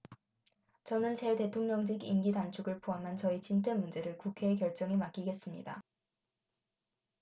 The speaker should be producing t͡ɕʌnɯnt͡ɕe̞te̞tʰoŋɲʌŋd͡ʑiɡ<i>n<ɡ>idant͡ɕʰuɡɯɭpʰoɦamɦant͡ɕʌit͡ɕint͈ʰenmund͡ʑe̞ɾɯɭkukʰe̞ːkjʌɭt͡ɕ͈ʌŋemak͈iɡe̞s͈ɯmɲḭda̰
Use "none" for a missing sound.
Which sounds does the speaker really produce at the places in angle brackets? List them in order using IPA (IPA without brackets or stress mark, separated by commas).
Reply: i, ɡ